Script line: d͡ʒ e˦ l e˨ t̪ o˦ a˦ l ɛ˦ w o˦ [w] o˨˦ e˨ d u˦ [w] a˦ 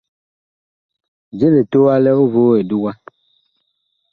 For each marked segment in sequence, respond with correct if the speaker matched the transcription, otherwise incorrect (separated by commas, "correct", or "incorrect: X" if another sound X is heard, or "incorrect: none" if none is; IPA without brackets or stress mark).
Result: incorrect: v, correct